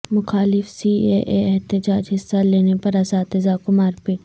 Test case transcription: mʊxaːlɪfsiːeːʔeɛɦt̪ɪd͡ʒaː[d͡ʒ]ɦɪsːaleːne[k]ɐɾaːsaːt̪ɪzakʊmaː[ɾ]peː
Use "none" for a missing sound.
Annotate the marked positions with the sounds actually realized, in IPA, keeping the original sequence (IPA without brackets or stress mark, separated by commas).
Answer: d͡ʒ, p, ɾ